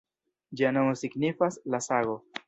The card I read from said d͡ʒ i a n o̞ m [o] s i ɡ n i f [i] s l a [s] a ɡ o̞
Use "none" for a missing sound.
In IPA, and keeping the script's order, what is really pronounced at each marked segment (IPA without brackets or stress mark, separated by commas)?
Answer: o, a, s